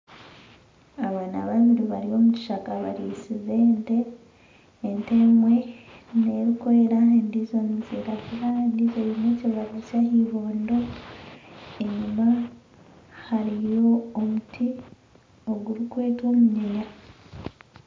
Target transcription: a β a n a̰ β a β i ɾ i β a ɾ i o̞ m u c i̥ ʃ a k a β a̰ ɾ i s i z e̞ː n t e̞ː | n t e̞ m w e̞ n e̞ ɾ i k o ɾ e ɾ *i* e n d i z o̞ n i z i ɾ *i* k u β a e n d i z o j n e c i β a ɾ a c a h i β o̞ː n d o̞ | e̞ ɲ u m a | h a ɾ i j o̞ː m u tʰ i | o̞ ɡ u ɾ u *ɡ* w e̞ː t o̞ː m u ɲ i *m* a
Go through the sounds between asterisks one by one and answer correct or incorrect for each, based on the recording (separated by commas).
incorrect, incorrect, incorrect, incorrect